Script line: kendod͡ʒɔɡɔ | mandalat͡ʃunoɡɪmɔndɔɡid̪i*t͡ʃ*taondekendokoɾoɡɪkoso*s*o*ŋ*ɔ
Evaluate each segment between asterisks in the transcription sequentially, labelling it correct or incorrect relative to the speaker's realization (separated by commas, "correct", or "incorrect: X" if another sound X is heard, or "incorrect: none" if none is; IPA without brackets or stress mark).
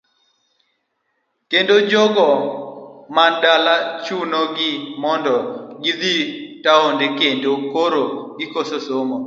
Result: incorrect: none, correct, incorrect: m